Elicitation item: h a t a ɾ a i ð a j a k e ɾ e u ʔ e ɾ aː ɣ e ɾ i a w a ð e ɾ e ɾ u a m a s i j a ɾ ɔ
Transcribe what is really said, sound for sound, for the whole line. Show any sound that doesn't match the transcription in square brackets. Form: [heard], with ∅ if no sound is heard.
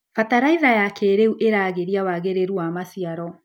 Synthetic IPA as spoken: [f] a t a ɾ a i ð a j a k e ɾ e u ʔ e ɾ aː ɣ e ɾ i a w a [ɣ] e ɾ e ɾ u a m a s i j a ɾ ɔ